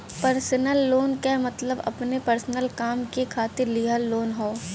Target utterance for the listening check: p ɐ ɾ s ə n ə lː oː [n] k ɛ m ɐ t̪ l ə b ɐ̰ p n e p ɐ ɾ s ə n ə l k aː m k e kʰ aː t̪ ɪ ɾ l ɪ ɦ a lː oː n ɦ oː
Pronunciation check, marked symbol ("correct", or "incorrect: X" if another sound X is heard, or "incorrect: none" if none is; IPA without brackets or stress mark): correct